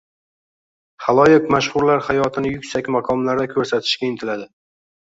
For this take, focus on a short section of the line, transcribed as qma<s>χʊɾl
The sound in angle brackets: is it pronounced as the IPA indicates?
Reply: no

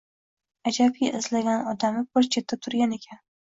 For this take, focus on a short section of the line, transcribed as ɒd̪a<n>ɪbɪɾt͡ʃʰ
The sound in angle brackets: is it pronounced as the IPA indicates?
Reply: no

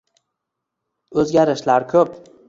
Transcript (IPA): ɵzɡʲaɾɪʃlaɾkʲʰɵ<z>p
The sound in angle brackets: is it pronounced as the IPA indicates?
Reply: no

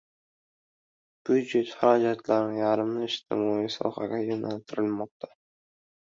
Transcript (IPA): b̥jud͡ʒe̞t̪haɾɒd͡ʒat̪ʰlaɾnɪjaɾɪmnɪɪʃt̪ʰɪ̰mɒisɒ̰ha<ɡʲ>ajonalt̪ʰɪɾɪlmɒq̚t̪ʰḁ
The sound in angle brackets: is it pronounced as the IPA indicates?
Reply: yes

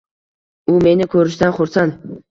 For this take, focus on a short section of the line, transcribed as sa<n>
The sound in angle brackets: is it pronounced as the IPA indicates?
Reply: yes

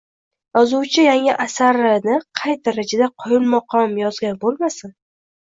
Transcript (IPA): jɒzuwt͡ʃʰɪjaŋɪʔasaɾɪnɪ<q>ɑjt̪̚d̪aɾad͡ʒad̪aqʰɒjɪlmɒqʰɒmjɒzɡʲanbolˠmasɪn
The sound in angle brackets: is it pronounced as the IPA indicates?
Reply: no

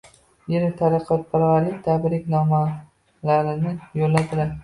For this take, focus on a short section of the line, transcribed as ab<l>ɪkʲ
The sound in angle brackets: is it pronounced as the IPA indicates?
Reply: no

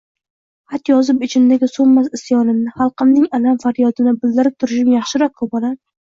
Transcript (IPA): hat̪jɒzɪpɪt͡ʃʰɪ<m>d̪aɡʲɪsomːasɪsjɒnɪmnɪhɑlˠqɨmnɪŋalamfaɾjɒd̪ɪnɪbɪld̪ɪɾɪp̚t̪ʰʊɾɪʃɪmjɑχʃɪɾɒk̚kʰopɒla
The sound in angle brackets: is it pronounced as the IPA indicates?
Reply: no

